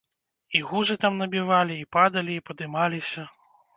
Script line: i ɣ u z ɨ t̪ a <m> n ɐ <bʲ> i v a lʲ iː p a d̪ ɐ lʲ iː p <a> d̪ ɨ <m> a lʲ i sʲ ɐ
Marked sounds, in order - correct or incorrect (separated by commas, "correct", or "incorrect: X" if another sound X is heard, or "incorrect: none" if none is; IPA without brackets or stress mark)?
correct, correct, incorrect: ɐ, correct